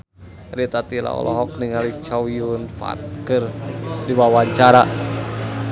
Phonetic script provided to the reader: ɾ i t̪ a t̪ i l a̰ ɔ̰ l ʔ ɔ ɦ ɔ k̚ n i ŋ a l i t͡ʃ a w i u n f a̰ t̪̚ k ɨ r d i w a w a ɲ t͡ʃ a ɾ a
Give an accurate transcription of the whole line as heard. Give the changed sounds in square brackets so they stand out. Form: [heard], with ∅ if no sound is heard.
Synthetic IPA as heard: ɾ i t̪ a t̪ i l a̰ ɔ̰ l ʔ ɔ ɦ ɔ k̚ n i ŋ a l i t͡ʃ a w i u n f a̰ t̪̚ k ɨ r d i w a w a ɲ t͡ʃ a ɾ a